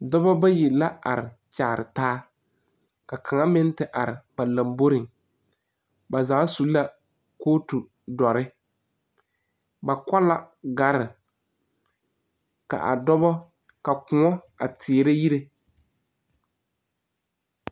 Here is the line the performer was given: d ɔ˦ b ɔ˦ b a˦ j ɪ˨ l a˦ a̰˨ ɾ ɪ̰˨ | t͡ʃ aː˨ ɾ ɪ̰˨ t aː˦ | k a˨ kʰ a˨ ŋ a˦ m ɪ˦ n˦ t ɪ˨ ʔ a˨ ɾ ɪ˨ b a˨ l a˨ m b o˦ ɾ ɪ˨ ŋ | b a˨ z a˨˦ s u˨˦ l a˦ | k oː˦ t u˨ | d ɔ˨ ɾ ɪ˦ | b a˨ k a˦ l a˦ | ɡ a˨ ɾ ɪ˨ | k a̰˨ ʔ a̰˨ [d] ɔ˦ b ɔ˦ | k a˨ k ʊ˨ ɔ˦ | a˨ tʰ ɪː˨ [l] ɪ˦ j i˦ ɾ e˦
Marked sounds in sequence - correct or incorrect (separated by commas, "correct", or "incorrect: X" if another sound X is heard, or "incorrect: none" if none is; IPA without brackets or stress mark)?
correct, incorrect: ɾ